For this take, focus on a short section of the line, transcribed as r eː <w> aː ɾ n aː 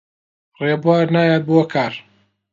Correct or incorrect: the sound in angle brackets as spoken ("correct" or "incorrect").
incorrect